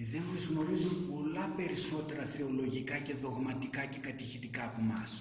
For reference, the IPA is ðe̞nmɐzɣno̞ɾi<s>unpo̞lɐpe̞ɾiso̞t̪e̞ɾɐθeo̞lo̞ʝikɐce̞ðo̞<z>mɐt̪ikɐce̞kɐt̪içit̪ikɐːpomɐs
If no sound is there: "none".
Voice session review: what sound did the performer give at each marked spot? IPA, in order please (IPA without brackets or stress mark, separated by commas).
z, ɣ